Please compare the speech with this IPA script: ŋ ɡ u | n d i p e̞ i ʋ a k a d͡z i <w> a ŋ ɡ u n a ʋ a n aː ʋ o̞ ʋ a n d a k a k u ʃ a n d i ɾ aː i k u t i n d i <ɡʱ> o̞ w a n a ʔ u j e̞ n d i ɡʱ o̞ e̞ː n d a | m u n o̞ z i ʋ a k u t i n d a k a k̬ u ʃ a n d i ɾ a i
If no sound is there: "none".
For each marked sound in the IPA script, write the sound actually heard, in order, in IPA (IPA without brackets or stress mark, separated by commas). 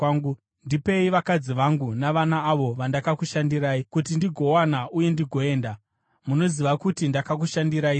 ʋ, ɡʱ